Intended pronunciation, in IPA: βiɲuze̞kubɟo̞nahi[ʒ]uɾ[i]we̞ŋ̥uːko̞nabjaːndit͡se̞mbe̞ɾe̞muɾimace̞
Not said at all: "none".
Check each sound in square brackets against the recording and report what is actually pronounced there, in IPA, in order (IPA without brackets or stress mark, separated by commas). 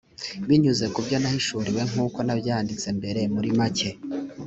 ʃ, i